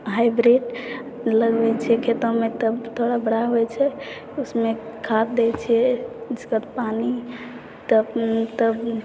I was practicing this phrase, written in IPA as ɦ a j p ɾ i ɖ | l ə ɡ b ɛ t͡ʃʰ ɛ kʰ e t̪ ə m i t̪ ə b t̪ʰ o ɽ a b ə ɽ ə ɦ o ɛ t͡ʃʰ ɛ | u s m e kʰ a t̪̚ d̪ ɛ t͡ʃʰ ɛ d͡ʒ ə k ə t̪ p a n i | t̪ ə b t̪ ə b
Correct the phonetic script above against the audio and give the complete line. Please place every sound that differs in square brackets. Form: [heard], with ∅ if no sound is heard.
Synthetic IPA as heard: ɦ a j [b] ɾ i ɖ | l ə ɡ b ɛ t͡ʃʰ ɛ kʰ e t̪ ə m [e] t̪ ə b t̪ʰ o ɽ a b ə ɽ [a] ɦ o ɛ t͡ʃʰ ɛ | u s m e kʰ a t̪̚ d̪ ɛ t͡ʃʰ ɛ d͡ʒ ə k ə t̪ p a n i | t̪ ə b t̪ ə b